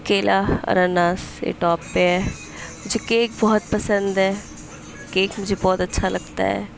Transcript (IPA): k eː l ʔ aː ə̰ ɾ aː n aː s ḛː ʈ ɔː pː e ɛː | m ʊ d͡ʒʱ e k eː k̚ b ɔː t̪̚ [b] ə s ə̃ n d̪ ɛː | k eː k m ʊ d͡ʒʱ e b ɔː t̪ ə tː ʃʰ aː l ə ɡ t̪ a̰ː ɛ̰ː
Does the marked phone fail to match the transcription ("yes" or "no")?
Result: yes